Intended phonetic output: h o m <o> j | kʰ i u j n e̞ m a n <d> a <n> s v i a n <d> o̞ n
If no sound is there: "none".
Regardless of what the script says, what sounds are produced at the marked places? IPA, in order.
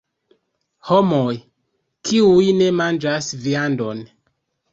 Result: o, d͡ʒ, none, d

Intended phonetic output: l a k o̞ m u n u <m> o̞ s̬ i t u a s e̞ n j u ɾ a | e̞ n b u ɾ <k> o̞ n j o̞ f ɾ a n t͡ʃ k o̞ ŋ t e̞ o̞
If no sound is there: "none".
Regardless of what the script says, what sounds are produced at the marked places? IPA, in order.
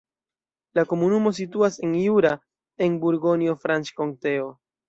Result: m, ɡ

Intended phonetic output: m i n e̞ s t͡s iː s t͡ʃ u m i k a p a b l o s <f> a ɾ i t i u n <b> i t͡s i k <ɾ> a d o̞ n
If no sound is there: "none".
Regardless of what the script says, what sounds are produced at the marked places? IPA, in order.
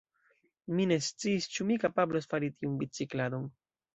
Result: f, b, l

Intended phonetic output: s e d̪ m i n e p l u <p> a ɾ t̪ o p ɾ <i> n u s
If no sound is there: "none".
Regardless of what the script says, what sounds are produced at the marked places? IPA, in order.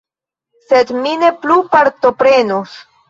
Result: p, e

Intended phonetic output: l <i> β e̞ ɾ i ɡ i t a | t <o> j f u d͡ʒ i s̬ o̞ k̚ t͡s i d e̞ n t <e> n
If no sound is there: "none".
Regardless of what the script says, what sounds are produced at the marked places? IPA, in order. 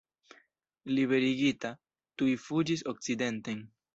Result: i, u, e

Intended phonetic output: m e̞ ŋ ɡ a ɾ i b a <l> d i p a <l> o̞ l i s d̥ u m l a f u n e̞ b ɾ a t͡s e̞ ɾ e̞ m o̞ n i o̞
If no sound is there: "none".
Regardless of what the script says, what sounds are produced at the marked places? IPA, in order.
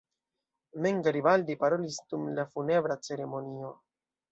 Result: l, ɾ

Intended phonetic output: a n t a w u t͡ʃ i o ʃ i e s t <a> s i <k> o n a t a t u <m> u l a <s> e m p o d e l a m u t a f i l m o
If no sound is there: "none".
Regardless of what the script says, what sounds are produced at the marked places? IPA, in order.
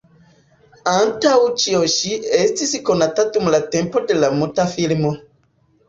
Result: i, k, m, t

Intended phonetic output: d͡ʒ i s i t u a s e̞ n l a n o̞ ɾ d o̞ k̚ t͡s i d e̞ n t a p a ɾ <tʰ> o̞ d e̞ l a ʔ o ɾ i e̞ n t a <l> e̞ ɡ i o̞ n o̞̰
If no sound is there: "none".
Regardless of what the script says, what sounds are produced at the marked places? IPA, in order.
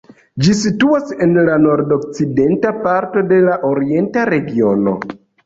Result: t, ɾ

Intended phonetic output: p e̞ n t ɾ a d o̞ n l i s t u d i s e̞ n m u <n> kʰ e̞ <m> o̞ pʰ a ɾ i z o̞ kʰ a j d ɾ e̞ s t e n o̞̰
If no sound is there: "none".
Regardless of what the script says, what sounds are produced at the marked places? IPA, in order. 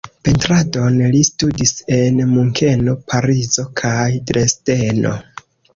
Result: ŋ, n

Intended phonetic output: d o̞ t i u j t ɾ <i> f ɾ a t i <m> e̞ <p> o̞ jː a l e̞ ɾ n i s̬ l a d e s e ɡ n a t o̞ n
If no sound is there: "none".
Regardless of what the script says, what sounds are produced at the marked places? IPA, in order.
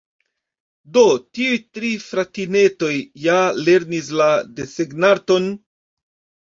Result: i, n, t

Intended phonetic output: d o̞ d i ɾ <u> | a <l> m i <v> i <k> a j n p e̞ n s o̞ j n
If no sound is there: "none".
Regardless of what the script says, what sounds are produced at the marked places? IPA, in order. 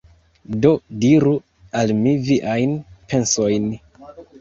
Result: u, l, v, ʔ

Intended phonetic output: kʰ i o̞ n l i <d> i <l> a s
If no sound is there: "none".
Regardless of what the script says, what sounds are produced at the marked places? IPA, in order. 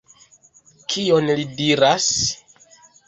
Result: d, ɾ

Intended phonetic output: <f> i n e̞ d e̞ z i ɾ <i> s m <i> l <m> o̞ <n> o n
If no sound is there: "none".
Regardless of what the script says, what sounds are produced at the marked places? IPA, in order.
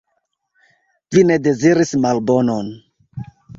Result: v, i, a, b, n

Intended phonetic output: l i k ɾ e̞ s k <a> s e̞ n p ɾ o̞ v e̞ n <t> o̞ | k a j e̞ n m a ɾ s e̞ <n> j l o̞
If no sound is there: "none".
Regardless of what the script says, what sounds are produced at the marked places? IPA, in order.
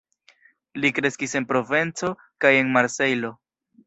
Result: i, t͡s, none

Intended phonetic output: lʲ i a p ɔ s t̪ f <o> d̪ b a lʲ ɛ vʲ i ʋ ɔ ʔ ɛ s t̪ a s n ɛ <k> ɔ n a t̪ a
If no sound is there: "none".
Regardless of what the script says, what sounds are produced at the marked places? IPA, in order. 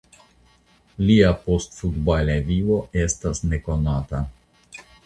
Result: u, k

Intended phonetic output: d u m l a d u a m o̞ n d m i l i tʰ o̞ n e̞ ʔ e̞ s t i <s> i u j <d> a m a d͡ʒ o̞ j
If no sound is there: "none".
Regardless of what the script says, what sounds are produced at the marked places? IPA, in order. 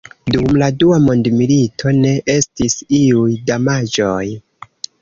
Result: s, d

